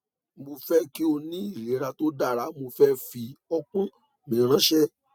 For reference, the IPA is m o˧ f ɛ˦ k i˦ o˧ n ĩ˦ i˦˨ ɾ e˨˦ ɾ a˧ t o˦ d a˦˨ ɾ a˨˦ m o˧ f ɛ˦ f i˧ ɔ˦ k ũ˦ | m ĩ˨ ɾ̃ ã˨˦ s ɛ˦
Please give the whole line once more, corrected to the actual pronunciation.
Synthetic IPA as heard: m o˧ f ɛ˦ k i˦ o˧ n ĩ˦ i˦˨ ɾ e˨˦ ɾ a˧ t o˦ d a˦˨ ɾ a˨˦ m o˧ f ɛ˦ f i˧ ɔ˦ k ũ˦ | m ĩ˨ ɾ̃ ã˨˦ ʃ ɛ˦